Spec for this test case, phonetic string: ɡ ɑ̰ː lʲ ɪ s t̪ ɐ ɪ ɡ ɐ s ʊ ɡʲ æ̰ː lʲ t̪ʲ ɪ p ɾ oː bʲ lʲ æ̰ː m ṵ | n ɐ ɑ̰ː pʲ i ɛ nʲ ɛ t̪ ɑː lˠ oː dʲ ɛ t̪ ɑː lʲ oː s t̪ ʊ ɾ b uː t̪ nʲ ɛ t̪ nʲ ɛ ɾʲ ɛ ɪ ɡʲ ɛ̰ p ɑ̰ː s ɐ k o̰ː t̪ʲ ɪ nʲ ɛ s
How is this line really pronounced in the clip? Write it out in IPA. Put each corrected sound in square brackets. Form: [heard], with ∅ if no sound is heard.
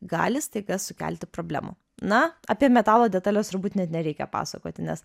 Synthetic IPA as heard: ɡ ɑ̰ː lʲ ɪ s t̪ ɐ ɪ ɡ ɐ s ʊ [kʲ] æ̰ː lʲ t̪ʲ ɪ p ɾ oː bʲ lʲ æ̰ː m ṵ | n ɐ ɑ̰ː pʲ i ɛ [mʲ] ɛ t̪ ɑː lˠ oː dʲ ɛ t̪ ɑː lʲ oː s t̪ ʊ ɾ b uː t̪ nʲ ɛ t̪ nʲ ɛ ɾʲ ɛ ɪ [kʲ] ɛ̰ p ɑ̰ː s ɐ k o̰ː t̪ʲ ɪ nʲ ɛ s